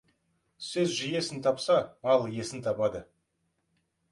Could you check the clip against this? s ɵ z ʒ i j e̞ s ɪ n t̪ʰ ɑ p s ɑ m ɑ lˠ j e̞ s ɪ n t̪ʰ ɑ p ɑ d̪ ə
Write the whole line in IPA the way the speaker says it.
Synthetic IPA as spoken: s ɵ z ʒ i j e̞ s ɪ n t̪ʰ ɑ p s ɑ m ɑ lˠ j e̞ s ɪ n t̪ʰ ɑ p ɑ d̪ ə